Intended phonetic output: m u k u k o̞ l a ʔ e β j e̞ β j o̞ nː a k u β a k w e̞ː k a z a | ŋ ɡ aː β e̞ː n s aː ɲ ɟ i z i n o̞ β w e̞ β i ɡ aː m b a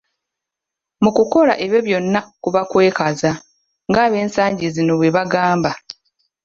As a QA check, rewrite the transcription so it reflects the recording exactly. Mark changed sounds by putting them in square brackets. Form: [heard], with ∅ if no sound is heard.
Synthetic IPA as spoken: m u k u k o̞ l a ʔ e β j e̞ β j o̞ nː a k u β a k w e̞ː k a z a | ŋ ɡ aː β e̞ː n s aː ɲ ɟ i z i n o̞ β w e̞ β [a] ɡ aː m b a